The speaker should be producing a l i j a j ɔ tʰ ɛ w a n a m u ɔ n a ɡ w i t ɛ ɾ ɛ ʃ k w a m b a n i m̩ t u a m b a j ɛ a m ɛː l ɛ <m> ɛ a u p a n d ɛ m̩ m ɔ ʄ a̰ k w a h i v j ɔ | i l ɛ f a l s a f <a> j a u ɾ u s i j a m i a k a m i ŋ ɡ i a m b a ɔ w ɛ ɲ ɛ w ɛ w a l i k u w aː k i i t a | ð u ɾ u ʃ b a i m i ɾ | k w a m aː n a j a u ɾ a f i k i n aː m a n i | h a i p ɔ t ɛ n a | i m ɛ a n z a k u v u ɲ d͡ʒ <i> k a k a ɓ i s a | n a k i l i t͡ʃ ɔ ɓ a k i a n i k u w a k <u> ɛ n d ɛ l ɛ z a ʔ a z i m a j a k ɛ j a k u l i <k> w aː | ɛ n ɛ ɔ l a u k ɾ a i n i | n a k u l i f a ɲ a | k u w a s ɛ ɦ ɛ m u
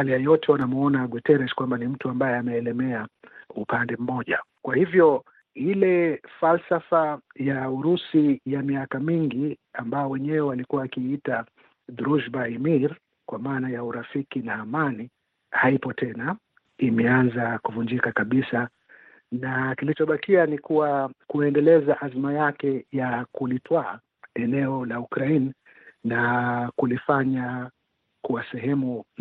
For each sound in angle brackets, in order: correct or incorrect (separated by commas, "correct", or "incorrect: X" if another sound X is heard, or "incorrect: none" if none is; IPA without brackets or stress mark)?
correct, correct, correct, correct, incorrect: t